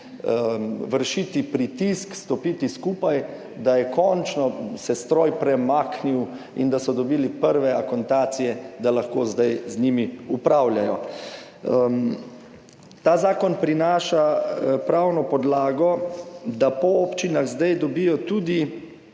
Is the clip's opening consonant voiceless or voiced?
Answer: voiced